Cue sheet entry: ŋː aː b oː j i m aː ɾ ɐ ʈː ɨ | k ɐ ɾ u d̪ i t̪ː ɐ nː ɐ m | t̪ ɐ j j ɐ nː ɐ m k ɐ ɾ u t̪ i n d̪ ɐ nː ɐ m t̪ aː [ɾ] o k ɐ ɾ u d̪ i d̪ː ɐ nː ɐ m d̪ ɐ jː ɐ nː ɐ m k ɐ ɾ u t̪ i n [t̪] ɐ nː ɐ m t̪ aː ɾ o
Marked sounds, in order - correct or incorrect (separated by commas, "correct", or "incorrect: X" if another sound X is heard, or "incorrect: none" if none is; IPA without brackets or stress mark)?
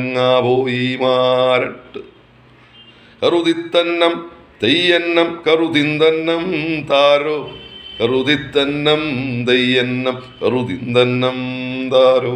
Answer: correct, incorrect: d̪